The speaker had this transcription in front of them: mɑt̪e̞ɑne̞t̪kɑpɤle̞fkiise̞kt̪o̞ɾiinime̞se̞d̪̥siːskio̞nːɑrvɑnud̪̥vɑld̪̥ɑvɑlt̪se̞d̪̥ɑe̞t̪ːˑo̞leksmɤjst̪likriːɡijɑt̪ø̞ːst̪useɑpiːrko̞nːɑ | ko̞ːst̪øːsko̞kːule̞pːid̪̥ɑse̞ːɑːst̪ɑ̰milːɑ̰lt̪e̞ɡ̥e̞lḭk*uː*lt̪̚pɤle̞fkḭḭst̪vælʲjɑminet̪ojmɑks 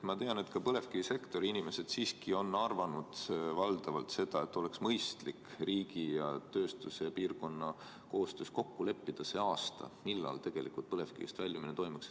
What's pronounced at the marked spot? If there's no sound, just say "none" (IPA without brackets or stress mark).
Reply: u